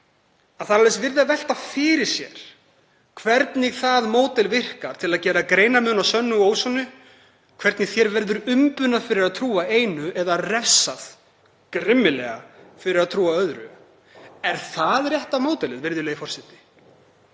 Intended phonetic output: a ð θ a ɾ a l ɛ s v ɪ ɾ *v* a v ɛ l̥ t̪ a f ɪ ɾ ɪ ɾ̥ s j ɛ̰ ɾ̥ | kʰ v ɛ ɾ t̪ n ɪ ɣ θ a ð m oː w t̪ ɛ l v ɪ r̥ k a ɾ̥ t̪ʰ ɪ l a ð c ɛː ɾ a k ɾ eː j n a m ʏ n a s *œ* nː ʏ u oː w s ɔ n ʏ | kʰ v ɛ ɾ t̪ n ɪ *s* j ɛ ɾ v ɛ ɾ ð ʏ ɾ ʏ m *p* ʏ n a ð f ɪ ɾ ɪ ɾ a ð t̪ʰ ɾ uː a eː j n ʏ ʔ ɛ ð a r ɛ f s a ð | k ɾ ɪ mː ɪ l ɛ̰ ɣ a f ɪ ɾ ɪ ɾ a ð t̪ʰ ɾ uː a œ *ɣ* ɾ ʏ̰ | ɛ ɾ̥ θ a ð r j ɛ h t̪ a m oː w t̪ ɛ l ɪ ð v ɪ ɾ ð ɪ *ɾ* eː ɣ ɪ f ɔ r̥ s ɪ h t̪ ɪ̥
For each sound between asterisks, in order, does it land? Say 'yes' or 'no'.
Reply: no, yes, no, yes, no, no

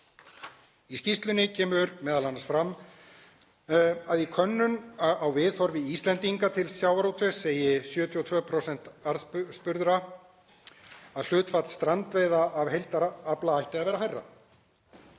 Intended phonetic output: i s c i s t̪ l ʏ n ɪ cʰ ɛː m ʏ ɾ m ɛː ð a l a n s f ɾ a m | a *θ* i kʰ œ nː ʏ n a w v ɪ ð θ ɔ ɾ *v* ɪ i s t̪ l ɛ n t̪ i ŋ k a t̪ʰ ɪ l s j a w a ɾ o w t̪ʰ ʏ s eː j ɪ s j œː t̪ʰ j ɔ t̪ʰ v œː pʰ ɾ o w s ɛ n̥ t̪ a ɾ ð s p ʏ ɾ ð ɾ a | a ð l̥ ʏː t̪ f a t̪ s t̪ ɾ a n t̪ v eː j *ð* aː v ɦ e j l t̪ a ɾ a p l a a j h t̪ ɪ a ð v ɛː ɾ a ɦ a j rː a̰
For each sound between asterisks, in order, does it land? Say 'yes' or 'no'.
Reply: no, yes, yes

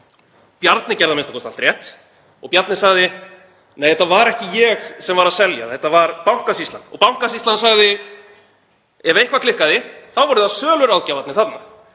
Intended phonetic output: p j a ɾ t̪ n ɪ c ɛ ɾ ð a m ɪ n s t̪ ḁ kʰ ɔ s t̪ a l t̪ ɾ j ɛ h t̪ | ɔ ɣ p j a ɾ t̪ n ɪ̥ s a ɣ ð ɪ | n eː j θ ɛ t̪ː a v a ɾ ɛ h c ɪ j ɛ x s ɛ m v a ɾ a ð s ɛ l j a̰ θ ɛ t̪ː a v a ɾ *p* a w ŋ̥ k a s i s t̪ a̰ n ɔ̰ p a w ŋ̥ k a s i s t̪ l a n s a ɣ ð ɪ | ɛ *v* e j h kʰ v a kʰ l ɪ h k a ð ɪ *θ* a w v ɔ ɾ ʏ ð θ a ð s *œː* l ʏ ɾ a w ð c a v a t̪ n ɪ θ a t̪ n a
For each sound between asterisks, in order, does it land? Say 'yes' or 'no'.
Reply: yes, yes, yes, yes

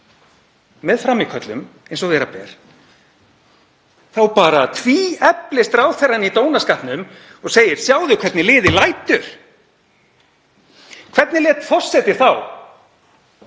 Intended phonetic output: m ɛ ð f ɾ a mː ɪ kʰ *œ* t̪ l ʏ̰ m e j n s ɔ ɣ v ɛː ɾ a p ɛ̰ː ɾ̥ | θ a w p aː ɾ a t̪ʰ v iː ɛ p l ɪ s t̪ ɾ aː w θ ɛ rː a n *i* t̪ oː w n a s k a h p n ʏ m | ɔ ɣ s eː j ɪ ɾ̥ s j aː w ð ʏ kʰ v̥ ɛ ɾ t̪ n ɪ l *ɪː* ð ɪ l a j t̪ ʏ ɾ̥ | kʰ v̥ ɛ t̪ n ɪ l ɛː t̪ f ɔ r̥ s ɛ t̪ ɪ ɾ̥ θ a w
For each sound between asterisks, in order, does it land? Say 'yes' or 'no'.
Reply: yes, yes, yes

